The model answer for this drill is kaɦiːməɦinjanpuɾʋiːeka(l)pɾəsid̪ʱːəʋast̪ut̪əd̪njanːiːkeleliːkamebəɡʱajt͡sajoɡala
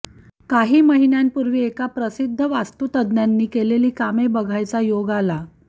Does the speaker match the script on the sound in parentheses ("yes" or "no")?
no